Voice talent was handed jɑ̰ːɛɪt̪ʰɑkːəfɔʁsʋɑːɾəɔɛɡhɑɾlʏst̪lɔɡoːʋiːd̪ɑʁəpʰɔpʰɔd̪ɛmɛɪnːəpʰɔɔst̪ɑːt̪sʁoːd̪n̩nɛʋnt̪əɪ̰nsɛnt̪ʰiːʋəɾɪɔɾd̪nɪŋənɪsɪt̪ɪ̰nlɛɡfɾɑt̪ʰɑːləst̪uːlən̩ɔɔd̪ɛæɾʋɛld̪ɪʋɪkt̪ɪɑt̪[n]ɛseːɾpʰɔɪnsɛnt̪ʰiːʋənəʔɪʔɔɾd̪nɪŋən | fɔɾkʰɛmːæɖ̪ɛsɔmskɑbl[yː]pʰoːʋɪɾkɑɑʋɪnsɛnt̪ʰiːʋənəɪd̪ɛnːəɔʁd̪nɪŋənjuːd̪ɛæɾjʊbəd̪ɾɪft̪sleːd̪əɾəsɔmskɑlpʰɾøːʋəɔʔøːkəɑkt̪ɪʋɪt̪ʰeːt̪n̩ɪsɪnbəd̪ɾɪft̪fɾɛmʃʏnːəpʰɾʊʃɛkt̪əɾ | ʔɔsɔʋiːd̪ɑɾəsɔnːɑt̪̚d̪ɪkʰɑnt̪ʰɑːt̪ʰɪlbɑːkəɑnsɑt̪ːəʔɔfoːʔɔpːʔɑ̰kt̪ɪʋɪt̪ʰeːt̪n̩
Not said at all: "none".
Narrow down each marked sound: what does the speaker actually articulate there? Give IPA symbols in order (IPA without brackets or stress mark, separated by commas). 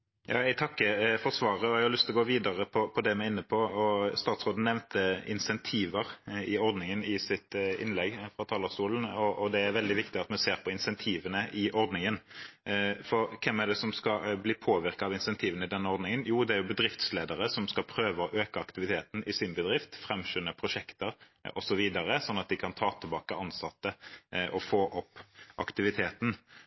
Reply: m, iː